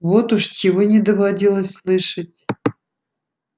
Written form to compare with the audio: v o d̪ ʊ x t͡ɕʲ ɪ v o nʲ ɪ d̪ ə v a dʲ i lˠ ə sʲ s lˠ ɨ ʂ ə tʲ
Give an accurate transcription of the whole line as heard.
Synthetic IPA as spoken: v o t̪ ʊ ʂ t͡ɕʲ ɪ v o nʲ ɪ d̪ ə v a dʲ i lˠ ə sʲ s lˠ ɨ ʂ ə tʲ